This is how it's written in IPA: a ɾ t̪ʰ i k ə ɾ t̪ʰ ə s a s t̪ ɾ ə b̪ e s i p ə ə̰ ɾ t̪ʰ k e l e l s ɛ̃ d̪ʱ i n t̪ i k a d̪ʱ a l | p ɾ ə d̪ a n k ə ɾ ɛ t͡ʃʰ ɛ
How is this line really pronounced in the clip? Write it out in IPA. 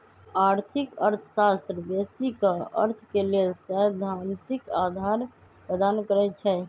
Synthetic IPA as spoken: a ɾ t̪ʰ i k ə ɾ t̪ʰ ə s a s t̪ ɾ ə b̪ e s i k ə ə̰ ɾ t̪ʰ k e l e l s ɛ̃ d̪ʱ a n t̪ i k a d̪ʱ a ɾ | p ɾ ə d̪ a n k ə ɾ ɛ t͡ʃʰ ɛ

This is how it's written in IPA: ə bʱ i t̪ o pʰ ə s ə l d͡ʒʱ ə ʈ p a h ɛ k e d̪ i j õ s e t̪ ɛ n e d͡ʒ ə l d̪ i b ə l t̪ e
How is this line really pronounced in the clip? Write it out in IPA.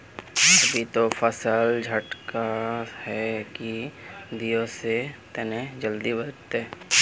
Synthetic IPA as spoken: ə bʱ i t̪ o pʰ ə s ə l d͡ʒʱ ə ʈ k a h ɛ k i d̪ i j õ s e t̪ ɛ n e d͡ʒ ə l d̪ i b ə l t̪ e

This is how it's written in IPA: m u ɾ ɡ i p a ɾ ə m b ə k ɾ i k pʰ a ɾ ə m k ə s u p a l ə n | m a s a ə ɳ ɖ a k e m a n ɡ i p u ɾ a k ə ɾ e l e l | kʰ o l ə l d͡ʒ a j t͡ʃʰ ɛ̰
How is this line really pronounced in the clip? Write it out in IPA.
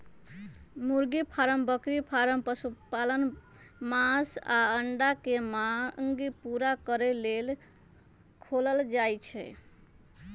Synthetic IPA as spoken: m u ɾ ɡ i pʰ a ɾ ə m b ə k ɾ i pʰ a ɾ ə m p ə s u p a l ə n | m a s a ə ɳ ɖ a k e m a ŋ ɡ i p u ɾ a k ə ɾ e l e l | kʰ o l ə l d͡ʒ a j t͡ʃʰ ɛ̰

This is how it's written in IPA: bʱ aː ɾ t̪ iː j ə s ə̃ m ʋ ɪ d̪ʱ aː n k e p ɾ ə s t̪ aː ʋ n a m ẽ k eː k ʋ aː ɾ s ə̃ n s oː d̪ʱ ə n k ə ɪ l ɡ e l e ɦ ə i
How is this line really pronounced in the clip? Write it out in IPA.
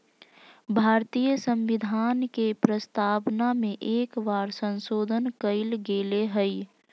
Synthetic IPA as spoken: bʱ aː ɾ t̪ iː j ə s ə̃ m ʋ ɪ d̪ʱ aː n k e p ɾ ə s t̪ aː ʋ n a m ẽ ʔ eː k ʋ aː ɾ s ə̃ n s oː d̪ʱ ə n k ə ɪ l ɡ e l e ɦ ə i

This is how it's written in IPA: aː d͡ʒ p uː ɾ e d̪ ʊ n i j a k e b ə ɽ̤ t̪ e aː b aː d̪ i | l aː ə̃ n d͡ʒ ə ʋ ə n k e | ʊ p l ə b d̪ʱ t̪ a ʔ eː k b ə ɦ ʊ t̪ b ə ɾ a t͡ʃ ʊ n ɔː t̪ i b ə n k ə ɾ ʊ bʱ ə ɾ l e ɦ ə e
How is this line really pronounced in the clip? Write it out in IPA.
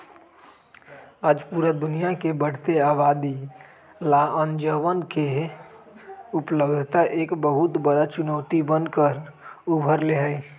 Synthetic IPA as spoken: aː d͡ʒ p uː ɾ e d̪ ʊ n i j a k e b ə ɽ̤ t̪ e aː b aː d̪ i | l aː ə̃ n d͡ʒ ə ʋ ə n k e | ʊ p l ə b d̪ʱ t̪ a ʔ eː k b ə ɦ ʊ t̪ b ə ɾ a t͡ʃ ʊ n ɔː t̪ i b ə n k ə ɾ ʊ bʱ ə ɾ l e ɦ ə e

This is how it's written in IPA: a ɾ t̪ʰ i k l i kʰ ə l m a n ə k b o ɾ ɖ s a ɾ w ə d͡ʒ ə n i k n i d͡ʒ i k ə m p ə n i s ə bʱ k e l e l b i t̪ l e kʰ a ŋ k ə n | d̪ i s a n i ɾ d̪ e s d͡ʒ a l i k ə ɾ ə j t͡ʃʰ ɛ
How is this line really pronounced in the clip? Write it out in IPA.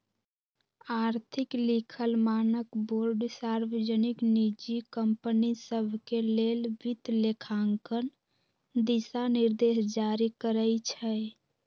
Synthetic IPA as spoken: a ɾ t̪ʰ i k l i kʰ ə l m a n ə k b o ɾ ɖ s a ɾ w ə d͡ʒ ə n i k n i d͡ʒ i k ə m p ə n i s ə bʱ k e l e l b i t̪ l e kʰ a ŋ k ə n | d̪ i s a n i ɾ d̪ e s d͡ʒ a ɾ i k ə ɾ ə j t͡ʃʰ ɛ

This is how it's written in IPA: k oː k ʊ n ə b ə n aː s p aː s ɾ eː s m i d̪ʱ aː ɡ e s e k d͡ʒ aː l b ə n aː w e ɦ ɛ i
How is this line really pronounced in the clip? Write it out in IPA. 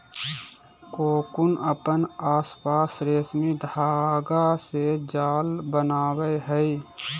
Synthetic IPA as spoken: k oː k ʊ n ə p ə n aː s p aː s ɾ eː s m i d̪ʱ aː ɡ a s e d͡ʒ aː l b ə n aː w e ɦ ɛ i

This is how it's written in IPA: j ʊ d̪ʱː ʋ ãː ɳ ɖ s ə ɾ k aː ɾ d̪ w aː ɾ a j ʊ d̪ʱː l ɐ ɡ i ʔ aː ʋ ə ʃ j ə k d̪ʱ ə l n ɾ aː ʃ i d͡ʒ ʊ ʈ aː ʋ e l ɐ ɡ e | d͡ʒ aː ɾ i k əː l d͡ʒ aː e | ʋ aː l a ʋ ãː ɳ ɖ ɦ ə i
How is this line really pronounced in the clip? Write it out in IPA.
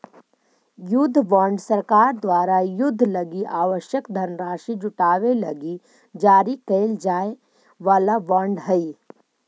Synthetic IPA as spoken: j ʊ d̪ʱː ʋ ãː ɳ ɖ s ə ɾ k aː ɾ d̪ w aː ɾ a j ʊ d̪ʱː l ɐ ɡ i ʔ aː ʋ ə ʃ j ə k d̪ʱ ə n ɾ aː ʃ i d͡ʒ ʊ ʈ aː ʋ e l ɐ ɡ i | d͡ʒ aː ɾ i k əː l d͡ʒ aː e | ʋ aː l a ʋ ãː ɳ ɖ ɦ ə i

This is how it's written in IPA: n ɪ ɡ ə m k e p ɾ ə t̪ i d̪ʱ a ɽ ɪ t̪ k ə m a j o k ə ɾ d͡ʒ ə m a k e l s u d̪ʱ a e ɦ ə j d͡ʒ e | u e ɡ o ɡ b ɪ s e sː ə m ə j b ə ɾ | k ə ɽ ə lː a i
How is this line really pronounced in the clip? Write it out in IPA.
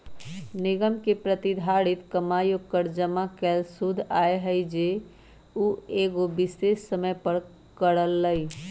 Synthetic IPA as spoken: n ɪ ɡ ə m k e p ɾ ə t̪ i d̪ʱ a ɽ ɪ t̪ k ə m a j o k ə ɾ d͡ʒ ə m a k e l s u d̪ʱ a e ɦ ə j d͡ʒ e | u e ɡ o b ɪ s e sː ə m ə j p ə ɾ | k ə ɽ ə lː ə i

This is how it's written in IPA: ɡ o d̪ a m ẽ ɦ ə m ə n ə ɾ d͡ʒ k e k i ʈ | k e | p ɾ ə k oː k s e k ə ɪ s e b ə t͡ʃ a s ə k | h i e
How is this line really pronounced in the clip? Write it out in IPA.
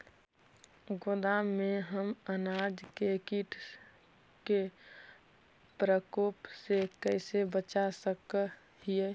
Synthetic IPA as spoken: ɡ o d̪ a m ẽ ɦ ə m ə n a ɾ d͡ʒ k e k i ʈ | k e | p ɾ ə k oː p s e k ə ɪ s e b ə t͡ʃ a s ə k | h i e

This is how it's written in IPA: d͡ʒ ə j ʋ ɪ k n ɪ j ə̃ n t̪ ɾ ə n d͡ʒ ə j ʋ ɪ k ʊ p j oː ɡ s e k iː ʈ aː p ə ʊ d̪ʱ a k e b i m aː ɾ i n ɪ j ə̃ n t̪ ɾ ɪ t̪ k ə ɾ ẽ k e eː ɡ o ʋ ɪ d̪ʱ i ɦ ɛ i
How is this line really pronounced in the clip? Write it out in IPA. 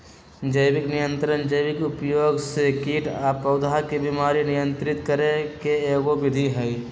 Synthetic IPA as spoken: d͡ʒ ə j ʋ ɪ k n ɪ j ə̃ n t̪ ɾ ə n d͡ʒ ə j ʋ ɪ k ʊ p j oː ɡ s e k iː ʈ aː p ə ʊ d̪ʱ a k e b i m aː ɾ i n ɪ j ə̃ n t̪ ɾ ɪ t̪ k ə ɾ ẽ k e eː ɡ o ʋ ɪ d̪ʱ i ɦ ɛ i

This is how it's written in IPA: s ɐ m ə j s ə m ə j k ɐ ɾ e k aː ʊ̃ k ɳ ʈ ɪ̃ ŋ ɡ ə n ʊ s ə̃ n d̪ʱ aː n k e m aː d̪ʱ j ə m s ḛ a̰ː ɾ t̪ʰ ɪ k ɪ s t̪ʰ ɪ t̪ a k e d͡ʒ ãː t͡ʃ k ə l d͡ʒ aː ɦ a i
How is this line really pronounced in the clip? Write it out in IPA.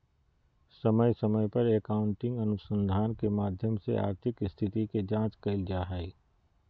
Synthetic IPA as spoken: s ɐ m ə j s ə m ə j p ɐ ɾ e k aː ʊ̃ ɳ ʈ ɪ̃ ŋ ɡ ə n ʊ s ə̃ n d̪ʱ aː n k e m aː d̪ʱ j ə m s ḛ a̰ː ɾ t̪ʰ ɪ k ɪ s t̪ʰ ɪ t̪ i k e d͡ʒ ãː t͡ʃ k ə l d͡ʒ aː ɦ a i

